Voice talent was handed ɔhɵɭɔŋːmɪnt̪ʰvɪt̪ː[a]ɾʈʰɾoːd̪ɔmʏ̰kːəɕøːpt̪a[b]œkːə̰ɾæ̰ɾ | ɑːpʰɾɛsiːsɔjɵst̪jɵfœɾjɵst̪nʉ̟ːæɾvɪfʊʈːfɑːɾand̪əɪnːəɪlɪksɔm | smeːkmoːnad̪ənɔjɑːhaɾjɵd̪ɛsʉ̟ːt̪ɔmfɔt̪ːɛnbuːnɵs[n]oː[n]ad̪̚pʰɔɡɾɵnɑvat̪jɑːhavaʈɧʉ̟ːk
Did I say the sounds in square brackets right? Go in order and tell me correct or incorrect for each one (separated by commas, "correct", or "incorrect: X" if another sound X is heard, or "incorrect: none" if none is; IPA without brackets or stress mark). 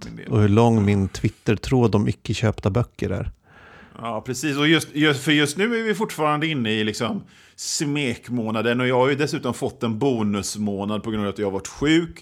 incorrect: ə, correct, incorrect: m, correct